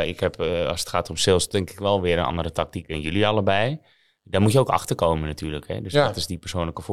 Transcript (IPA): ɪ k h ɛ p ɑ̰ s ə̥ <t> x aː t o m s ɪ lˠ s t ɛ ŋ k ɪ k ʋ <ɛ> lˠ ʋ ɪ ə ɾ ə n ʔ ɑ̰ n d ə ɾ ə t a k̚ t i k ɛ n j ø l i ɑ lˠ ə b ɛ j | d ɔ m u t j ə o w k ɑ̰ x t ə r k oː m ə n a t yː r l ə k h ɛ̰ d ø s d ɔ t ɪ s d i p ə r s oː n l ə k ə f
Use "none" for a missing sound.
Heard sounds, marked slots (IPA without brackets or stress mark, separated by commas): t, ɛ